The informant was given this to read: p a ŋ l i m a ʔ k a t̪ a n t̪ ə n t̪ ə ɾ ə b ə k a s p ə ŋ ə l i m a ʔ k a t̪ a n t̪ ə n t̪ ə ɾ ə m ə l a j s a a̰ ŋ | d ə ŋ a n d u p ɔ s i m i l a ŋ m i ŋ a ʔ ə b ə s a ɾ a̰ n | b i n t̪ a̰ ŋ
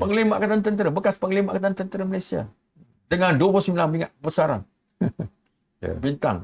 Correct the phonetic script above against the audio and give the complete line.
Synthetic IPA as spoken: p ə ŋ l i m a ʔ k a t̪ a n t̪ ə n t̪ ə ɾ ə b ə k a s p ə ŋ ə l i m a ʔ k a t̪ a n t̪ ə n t̪ ə ɾ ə m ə l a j s i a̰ | d ə ŋ a n d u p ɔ s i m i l a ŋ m i ŋ a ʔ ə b ə s a ɾ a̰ n | b i n t̪ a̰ ŋ